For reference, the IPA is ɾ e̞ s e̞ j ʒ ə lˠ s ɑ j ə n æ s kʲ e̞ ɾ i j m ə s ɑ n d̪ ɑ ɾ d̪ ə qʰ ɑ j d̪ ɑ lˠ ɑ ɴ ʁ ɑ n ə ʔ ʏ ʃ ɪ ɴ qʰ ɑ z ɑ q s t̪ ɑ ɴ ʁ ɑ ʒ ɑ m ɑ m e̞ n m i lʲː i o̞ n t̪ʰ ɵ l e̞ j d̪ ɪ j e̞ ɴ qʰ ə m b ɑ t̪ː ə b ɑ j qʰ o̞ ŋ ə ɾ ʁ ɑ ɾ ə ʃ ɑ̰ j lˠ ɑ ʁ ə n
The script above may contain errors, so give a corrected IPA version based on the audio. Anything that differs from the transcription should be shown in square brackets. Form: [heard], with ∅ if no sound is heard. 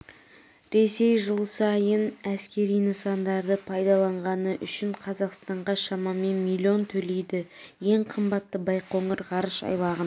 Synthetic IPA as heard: ɾ e̞ s e̞ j ʒ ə lˠ s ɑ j ə n æ s kʲ e̞ ɾ i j [n] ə s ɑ n d̪ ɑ ɾ d̪ ə [pʰ] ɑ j d̪ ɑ lˠ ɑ ɴ ʁ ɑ n ə ʔ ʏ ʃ ɪ ɴ qʰ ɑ z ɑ q s t̪ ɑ ɴ ʁ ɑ [ʃ] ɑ m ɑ m e̞ n m i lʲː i o̞ n t̪ʰ ɵ l e̞ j d̪ ɪ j e̞ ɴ qʰ ə m b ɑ t̪ː ə b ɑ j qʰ o̞ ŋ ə ɾ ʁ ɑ ɾ ə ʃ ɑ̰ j lˠ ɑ ʁ ə n

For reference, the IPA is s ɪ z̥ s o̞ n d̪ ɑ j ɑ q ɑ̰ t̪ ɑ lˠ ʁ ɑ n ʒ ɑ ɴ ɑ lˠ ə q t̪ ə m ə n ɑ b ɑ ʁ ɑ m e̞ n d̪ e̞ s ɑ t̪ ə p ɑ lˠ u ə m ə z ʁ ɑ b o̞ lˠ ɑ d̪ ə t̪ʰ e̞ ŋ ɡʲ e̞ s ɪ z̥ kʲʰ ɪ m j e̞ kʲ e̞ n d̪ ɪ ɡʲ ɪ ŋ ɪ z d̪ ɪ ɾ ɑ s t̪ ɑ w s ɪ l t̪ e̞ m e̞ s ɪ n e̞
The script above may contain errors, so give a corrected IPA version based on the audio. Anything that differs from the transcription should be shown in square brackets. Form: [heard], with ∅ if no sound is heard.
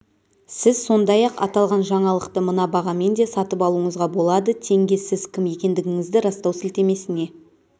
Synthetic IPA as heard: s ɪ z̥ s o̞ n d̪ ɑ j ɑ q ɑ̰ t̪ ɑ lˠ ʁ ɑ n ʒ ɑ ɴ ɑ lˠ ə q t̪ ə m ə n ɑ b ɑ ʁ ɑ m e̞ n d̪ e̞ s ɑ t̪ ə p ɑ lˠ u ə [ɴ] ə z ʁ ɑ b o̞ lˠ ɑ d̪ ə t̪ʰ e̞ ŋ ɡʲ e̞ s ɪ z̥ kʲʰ ɪ m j e̞ kʲ e̞ n d̪ ɪ ɡʲ ɪ ŋ ɪ z d̪ ɪ ɾ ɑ s t̪ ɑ w s ɪ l t̪ e̞ m e̞ s ɪ n e̞

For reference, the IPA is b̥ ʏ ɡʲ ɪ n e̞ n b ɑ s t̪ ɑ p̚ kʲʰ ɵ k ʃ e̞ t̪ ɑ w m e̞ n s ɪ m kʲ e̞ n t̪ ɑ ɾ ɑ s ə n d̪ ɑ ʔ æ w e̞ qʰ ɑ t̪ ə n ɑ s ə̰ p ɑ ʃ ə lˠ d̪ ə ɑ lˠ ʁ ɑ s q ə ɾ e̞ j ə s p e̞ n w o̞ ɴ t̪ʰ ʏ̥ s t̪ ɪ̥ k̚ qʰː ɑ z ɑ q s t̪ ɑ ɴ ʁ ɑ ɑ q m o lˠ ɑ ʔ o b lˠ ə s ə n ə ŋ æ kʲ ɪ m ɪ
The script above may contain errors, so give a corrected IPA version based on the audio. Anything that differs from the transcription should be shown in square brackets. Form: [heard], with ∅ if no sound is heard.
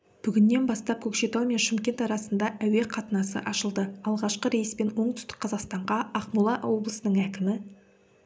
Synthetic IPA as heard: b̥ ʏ ɡʲ ɪ [nː] e̞ n b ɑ s t̪ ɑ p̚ kʲʰ ɵ k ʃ e̞ t̪ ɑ w m e̞ n [ʃ] ɪ m kʲ e̞ n t̪ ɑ ɾ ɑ s ə n d̪ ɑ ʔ æ w e̞ qʰ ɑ t̪ ə n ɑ s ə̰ [ʔ] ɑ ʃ ə lˠ d̪ ə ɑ lˠ ʁ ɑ [ʃ] q ə ɾ e̞ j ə s p e̞ n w o̞ ɴ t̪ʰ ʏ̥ s t̪ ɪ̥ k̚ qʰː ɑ z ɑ q s t̪ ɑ ɴ ʁ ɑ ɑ q m [u] lˠ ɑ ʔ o b lˠ ə s ə n ə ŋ æ kʲ ɪ m ɪ

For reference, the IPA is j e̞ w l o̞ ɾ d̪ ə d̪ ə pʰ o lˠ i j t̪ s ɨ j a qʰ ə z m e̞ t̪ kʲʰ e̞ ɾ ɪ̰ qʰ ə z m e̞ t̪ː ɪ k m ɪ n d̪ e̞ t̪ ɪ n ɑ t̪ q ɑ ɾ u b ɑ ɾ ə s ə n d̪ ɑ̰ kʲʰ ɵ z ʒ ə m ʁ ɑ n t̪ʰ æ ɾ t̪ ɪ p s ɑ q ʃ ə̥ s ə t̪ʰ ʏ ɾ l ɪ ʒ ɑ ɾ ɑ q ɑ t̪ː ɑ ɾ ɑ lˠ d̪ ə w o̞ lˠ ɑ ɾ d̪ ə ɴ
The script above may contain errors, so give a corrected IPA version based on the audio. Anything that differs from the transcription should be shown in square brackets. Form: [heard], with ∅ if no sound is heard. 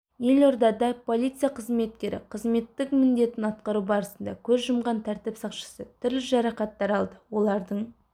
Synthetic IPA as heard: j e̞ [∅] l o̞ ɾ d̪ [ɑ] d̪ [ɑ] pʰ o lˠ i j t̪ s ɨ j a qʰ ə z m e̞ t̪ [kʲ] e̞ ɾ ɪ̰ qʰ ə z m e̞ t̪ː ɪ k m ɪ n d̪ e̞ t̪ ɪ n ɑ t̪ q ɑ ɾ u b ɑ ɾ ə s ə n d̪ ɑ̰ kʲʰ ɵ z ʒ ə m ʁ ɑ n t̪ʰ æ ɾ t̪ ɪ p s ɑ q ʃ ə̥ s ə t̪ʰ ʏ ɾ l ɪ ʒ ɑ ɾ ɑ q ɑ t̪ː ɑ ɾ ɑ lˠ d̪ ə w o̞ lˠ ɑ ɾ d̪ ə ɴ

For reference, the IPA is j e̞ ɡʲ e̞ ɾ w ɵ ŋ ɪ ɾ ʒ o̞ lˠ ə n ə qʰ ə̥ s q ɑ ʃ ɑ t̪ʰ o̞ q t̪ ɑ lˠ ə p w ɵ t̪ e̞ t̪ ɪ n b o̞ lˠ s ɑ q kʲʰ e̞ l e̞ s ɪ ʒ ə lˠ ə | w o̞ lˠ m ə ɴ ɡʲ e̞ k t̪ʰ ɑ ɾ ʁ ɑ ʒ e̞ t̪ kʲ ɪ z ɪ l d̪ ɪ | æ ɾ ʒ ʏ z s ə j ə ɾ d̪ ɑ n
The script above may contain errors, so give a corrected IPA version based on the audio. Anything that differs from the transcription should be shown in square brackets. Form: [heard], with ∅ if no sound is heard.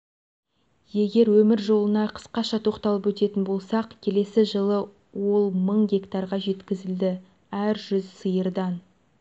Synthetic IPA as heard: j e̞ ɡʲ e̞ ɾ w ɵ [m] ɪ ɾ ʒ o̞ lˠ ə n [ɑ] qʰ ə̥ s q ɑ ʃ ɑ t̪ʰ o̞ q t̪ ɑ lˠ ə p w ɵ t̪ e̞ t̪ ɪ n b o̞ lˠ s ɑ q kʲʰ e̞ l e̞ s ɪ ʒ ə lˠ ə | w o̞ lˠ m ə ɴ ɡʲ e̞ k [t̪] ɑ ɾ ʁ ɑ ʒ e̞ t̪ kʲ ɪ z ɪ l d̪ ɪ | æ ɾ ʒ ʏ z s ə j ə ɾ d̪ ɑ n

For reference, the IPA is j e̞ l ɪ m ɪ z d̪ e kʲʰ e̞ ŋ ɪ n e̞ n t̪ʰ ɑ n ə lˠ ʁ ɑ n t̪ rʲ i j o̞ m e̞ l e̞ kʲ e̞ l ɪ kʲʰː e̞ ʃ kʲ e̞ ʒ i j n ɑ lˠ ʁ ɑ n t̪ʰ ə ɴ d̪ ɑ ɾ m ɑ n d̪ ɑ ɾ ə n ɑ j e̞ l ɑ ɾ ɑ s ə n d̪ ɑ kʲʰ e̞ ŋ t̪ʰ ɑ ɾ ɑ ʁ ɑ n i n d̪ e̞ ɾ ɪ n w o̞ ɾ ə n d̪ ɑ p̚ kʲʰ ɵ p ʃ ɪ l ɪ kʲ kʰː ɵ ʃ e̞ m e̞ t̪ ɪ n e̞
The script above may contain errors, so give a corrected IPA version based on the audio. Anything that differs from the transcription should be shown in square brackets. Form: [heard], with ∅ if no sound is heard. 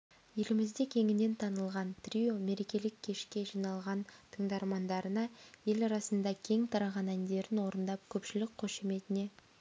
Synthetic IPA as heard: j e̞ l ɪ m ɪ z d̪ e kʲʰ e̞ ŋ ɪ n e̞ n t̪ʰ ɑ n ə lˠ ʁ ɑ n t̪ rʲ i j o̞ m e̞ [ɾ] e̞ kʲ e̞ l ɪ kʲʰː e̞ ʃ kʲ e̞ ʒ i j n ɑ lˠ ʁ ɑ n t̪ʰ ə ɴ d̪ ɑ ɾ m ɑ n d̪ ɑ ɾ ə n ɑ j e̞ l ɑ ɾ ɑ s ə n d̪ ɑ kʲʰ e̞ ŋ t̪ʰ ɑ ɾ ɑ ʁ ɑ n [æ] n d̪ e̞ ɾ ɪ n w o̞ ɾ ə n d̪ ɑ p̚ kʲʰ ɵ p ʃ ɪ l ɪ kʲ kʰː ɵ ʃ e̞ m e̞ t̪ ɪ n e̞

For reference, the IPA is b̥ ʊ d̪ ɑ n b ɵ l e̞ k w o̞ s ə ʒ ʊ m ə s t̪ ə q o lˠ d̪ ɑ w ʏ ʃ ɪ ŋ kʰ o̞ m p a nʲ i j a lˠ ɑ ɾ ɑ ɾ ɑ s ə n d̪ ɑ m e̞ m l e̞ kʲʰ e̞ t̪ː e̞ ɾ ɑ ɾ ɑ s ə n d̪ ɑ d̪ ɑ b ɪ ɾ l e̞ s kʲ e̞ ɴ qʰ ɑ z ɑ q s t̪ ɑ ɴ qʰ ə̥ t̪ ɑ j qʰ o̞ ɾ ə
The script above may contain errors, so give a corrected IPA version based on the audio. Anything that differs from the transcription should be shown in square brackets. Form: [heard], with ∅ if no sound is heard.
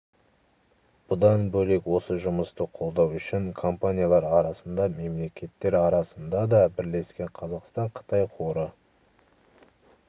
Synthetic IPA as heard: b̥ ʊ d̪ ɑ n b ɵ l e̞ k w o̞ s ə ʒ ʊ m ə s t̪ ə [qʰ] o lˠ d̪ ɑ w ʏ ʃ ɪ ŋ kʰ o̞ m p a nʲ i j a lˠ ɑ ɾ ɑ ɾ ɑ s ə n d̪ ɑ m e̞ m l e̞ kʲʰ e̞ t̪ː e̞ ɾ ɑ ɾ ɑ s ə n d̪ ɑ d̪ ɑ b ɪ ɾ l e̞ s kʲ e̞ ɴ qʰ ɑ z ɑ q s t̪ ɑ ɴ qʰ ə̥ t̪ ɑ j qʰ o̞ ɾ ə

